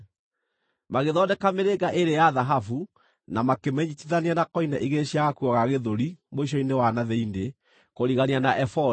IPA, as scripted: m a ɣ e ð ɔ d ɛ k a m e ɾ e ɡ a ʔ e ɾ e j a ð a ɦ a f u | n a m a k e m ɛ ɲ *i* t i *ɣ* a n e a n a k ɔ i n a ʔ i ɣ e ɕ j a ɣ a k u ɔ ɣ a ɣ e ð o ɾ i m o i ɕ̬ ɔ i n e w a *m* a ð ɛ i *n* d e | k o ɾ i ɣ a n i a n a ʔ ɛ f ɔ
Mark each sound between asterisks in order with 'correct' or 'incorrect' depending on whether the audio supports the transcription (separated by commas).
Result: correct, incorrect, incorrect, correct